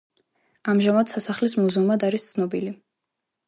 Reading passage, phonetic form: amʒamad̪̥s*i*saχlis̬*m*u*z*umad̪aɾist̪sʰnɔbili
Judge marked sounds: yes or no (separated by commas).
no, yes, yes